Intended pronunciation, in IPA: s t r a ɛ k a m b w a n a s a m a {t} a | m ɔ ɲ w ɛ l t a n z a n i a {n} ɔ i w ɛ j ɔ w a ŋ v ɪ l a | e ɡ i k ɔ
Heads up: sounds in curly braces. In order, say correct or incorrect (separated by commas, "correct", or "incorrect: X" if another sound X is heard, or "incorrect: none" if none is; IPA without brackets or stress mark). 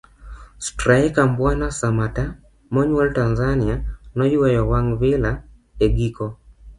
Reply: correct, correct